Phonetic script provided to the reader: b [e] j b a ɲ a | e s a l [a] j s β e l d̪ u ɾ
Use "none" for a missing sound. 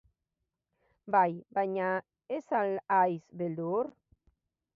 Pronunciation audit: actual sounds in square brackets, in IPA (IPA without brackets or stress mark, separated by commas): a, a